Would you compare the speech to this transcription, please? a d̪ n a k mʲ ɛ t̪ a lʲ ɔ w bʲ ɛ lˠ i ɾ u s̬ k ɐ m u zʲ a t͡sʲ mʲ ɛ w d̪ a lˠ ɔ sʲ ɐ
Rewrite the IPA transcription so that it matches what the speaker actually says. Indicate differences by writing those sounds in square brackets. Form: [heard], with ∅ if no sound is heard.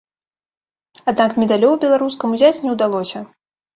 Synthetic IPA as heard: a d̪ n a k mʲ ɛ [d̪] a lʲ ɔ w bʲ ɛ lˠ [a] ɾ u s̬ k ɐ m u zʲ a t͡sʲ [nʲ] ɛ w d̪ a lˠ ɔ sʲ ɐ